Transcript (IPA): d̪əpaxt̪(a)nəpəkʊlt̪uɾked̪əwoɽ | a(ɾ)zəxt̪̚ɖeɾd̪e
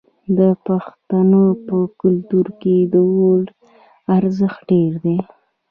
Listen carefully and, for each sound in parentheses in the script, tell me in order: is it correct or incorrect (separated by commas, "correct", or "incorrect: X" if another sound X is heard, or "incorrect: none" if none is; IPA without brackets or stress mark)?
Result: correct, correct